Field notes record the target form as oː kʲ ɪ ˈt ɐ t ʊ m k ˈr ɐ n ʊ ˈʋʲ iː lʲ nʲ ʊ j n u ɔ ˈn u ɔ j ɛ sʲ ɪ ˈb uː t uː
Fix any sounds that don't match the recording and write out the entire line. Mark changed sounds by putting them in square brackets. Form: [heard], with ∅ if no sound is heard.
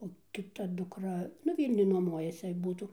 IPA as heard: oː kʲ ɪ ˈt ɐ [d] ʊ [∅] k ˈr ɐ n ʊ ˈʋʲ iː lʲ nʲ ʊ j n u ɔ [ˈm] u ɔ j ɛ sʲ ɪ ˈb uː t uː